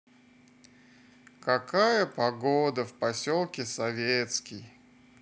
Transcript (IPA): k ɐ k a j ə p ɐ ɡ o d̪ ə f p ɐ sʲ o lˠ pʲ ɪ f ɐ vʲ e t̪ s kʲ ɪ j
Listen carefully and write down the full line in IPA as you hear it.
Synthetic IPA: k ɐ k a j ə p ɐ ɡ o d̪ ə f p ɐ sʲ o lˠ kʲ ɪ s ɐ vʲ e t̪ s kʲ ɪ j